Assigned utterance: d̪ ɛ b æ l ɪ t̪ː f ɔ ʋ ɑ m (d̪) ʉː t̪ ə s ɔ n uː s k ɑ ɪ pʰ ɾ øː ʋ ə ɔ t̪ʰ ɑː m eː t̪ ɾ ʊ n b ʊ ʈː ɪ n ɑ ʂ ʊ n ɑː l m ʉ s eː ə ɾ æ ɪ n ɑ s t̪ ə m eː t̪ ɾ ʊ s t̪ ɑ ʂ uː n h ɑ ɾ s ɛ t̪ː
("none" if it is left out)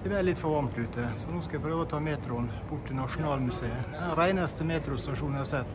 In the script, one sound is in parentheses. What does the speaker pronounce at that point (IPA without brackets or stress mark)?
t̪